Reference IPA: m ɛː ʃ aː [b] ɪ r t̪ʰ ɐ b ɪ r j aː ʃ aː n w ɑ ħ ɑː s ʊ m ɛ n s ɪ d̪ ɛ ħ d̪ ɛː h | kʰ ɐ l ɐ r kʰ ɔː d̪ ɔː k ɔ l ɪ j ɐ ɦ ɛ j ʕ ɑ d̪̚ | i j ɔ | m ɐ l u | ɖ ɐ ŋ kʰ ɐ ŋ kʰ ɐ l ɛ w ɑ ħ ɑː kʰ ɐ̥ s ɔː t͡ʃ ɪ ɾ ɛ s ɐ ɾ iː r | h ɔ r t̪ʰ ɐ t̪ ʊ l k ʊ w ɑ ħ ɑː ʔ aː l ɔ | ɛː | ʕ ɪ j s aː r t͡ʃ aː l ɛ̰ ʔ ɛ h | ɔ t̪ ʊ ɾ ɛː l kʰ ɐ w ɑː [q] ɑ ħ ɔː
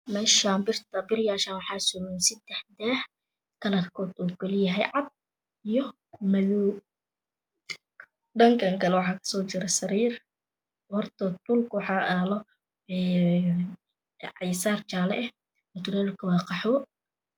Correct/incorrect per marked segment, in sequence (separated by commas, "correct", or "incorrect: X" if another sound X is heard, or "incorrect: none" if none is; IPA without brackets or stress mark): correct, correct